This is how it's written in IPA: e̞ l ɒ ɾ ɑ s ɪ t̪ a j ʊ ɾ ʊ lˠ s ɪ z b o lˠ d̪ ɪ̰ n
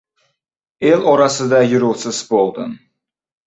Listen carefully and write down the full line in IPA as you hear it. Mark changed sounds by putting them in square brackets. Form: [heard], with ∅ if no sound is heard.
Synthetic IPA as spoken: e̞ l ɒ ɾ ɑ s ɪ [d̪] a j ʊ ɾ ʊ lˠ s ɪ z b o lˠ d̪ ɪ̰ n